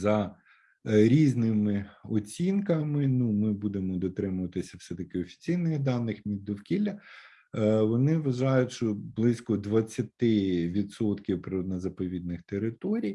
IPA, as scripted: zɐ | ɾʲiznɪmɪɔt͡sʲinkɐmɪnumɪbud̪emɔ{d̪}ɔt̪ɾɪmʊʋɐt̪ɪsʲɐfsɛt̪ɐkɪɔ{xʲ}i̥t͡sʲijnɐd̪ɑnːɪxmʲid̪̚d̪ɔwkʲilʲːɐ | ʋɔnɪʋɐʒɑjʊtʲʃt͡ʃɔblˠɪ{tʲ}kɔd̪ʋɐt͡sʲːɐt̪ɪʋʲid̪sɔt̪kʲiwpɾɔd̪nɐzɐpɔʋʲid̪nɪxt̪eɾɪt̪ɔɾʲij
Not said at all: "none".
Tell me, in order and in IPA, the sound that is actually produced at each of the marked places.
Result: d̪, fʲ, sʲ

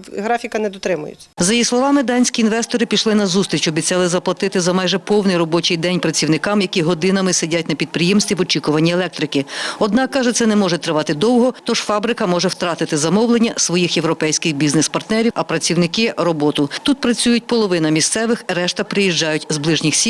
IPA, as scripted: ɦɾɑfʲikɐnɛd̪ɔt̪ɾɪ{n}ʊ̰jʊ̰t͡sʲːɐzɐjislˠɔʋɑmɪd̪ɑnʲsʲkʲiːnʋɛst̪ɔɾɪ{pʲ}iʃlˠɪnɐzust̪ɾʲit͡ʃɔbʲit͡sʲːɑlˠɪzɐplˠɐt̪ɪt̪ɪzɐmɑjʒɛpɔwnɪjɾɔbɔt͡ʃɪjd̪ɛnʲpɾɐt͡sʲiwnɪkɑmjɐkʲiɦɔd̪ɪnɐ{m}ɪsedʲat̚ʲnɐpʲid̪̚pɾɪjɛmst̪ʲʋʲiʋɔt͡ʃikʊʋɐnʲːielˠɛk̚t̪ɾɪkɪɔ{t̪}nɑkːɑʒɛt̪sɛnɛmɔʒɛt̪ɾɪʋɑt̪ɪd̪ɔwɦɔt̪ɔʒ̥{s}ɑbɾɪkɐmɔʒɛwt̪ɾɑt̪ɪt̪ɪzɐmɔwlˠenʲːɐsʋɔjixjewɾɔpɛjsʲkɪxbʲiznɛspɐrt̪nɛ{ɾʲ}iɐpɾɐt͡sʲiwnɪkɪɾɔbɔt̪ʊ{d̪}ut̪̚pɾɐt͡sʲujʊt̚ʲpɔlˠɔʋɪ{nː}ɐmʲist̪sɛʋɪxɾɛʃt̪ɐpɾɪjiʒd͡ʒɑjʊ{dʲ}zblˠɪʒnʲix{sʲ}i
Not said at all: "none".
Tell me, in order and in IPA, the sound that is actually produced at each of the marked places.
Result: m, pʲ, m, d̪, f, ɾʲ, t̪, n, tʲ, sʲ

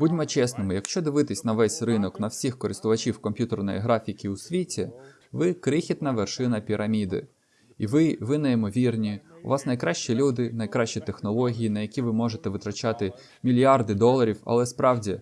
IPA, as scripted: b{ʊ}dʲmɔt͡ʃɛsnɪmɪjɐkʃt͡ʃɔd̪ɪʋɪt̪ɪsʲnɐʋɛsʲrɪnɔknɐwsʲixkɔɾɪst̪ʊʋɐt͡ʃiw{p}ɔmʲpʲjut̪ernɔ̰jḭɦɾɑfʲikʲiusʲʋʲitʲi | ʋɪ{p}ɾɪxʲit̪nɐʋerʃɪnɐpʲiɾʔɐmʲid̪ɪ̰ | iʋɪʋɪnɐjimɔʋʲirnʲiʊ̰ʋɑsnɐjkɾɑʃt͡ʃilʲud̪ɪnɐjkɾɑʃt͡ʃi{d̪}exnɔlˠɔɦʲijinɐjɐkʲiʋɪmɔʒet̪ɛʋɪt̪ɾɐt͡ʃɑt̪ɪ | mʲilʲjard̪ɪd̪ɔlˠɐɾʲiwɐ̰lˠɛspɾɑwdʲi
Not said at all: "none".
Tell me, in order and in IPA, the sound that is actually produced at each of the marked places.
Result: u, k, k, t̪

